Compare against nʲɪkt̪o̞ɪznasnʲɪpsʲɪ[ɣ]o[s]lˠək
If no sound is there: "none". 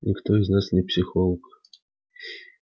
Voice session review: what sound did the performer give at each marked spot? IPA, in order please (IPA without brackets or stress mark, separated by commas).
x, none